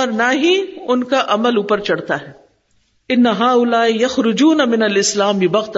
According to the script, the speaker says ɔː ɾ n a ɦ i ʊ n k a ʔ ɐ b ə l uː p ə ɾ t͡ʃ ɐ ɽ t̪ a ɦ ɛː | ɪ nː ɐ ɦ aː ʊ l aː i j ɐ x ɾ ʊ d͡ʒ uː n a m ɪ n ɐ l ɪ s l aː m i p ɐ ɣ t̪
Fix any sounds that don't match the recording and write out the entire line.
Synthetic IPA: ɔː ɾ n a ɦ i ʊ n k a ʔ ɐ m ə l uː p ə ɾ t͡ʃ ɐ ɽ t̪ a ɦ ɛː | ɪ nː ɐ ɦ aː ʊ l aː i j ɐ x ɾ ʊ d͡ʒ uː n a m ɪ n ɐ l ɪ s l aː m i b ɐ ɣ t̪